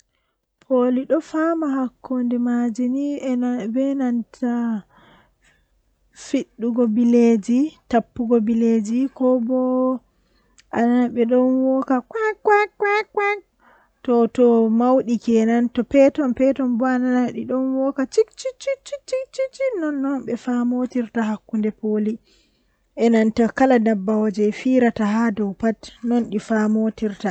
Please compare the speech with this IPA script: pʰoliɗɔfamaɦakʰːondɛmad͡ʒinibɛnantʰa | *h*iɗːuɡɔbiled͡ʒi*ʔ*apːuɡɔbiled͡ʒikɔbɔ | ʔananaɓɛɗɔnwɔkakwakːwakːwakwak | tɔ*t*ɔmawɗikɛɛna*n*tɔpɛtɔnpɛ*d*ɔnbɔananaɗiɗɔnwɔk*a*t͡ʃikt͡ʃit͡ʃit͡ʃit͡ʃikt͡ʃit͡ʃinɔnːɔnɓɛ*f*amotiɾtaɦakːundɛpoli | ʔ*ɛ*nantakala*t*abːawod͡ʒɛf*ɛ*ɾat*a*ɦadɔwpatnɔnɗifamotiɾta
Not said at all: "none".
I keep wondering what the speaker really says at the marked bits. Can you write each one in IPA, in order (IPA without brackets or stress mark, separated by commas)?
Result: f, t, t, n, t, a, f, ɛ, d, i, a